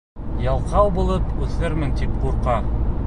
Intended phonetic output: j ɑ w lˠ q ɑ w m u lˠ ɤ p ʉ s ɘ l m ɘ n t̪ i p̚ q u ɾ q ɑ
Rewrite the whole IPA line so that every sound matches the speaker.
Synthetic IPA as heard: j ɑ lˠ q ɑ w b u lˠ ɤ p ʉ θ ɘ ɾ m ɘ n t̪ i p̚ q u ɾ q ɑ